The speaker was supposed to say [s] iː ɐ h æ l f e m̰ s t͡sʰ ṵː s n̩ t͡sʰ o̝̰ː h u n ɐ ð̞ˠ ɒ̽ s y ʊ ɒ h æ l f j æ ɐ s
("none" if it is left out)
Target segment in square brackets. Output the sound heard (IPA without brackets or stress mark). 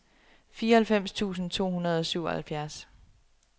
f